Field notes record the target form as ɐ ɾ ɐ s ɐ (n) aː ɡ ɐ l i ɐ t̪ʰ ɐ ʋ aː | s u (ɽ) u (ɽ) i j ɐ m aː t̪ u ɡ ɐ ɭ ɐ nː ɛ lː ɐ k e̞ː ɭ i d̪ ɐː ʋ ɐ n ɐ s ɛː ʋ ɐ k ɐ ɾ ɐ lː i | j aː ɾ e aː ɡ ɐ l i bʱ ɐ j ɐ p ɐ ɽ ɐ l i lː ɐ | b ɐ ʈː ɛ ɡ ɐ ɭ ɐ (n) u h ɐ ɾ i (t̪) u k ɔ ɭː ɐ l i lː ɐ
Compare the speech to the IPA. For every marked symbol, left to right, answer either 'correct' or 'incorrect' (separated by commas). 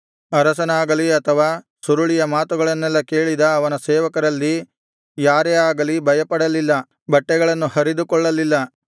correct, incorrect, incorrect, incorrect, incorrect